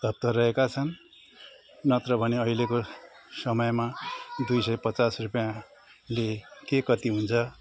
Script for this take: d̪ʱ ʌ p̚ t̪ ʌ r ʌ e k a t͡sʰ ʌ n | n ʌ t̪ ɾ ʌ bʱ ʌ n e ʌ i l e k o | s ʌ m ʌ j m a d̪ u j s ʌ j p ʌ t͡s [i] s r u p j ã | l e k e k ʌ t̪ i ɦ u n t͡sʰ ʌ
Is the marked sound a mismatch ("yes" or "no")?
yes